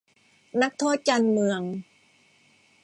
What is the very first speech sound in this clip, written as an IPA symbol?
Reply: n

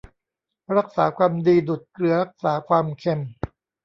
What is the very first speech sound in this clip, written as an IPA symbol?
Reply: ɾ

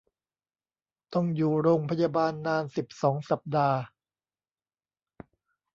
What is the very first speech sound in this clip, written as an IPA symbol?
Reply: t̪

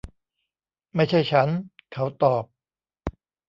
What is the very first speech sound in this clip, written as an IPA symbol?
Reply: m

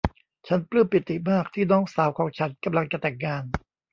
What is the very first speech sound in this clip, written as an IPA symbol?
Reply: t͡ɕʰ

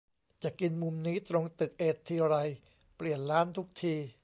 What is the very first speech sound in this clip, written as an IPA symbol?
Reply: t͡ɕ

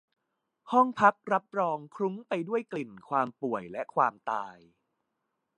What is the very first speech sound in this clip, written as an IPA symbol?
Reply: h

